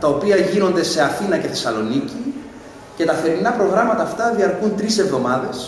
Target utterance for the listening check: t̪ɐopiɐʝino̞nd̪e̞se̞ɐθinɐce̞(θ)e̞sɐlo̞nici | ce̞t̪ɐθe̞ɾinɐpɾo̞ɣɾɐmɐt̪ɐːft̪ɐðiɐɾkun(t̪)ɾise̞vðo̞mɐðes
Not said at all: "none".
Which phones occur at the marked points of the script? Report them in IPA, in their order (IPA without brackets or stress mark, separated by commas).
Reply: θ, t̪